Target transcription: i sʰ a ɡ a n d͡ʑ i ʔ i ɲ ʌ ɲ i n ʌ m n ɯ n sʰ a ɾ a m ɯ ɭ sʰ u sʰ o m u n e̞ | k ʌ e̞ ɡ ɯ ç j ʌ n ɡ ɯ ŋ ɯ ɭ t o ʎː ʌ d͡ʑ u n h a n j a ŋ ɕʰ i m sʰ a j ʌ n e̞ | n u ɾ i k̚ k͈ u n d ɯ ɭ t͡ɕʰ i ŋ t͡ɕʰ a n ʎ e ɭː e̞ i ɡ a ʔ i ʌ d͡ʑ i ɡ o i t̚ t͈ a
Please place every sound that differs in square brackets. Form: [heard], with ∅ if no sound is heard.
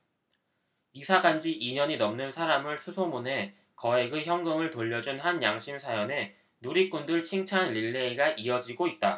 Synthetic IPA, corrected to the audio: i sʰ a ɡ a n d͡ʑ i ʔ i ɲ ʌ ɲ i n ʌ m n ɯ n sʰ a ɾ a m ɯ ɭ sʰ u sʰ o m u n e̞ | k ʌ e̞ ɡ ɯ ç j ʌ [ŋ] ɡ ɯ ŋ ɯ ɭ t o ʎː ʌ d͡ʑ u n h a n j a ŋ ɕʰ i m sʰ a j ʌ n e̞ | n u ɾ i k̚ k͈ u n d ɯ ɭ t͡ɕʰ i ŋ t͡ɕʰ a n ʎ [i] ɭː e̞ i ɡ a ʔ i ʌ d͡ʑ i ɡ o i t̚ t͈ a

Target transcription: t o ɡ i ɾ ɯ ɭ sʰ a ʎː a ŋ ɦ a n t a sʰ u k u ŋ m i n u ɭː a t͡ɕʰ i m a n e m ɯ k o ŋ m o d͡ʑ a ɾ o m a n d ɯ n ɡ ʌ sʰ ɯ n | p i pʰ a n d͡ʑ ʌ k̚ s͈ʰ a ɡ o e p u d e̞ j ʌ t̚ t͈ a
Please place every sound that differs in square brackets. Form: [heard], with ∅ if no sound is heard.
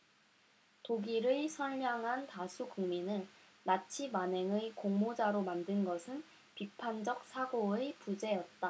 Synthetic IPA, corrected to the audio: t o ɡ i ɾ ɯ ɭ sʰ [ʌ] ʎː a ŋ ɦ a n t a sʰ u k u ŋ m i n [ɯ] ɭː a t͡ɕʰ i m a n e [ŋ] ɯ k o ŋ m o d͡ʑ a ɾ o m a n d ɯ n ɡ ʌ sʰ ɯ n | p i pʰ a n d͡ʑ ʌ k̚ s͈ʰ a ɡ o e p u [d͡ʑ] e̞ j ʌ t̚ t͈ a

